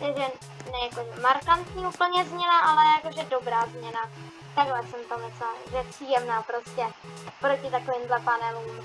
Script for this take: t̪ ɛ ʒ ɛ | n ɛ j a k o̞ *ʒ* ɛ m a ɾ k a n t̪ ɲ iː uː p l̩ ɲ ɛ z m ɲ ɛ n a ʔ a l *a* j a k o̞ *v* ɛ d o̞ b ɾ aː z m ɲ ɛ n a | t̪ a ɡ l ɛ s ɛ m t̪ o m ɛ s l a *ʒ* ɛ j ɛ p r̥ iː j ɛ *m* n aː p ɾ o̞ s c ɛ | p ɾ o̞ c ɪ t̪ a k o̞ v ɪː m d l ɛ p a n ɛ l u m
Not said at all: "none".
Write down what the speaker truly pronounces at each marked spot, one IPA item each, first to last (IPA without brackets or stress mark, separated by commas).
ʒ, ɛ, ʒ, ʒ, m